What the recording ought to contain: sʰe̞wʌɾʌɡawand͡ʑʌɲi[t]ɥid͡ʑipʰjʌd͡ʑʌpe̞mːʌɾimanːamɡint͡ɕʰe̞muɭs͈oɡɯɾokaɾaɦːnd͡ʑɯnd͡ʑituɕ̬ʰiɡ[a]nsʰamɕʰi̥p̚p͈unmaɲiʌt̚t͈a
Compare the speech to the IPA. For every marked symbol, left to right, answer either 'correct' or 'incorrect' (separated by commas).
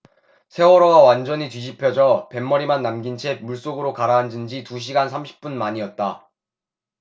correct, correct